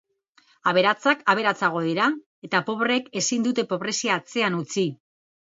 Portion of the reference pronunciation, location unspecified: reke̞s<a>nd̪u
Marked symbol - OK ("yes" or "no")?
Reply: no